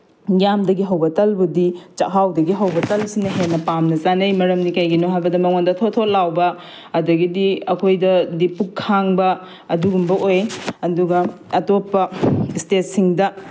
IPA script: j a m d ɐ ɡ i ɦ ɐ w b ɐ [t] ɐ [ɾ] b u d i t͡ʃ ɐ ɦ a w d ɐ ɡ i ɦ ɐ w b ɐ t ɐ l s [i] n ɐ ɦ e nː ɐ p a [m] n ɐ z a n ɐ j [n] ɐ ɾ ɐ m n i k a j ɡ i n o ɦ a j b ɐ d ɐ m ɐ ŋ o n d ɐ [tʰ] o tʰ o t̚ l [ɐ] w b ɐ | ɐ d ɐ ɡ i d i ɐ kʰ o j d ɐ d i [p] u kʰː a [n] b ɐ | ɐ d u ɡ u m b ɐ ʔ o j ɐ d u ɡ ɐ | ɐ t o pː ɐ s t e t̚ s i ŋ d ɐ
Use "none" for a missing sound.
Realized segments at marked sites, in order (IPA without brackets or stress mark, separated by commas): t, l, i, m, m, tʰ, a, p, ŋ